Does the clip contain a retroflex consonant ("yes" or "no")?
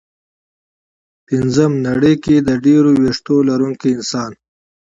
yes